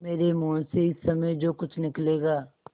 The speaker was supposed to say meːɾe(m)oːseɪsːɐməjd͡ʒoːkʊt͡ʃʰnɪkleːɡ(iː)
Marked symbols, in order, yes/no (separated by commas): yes, no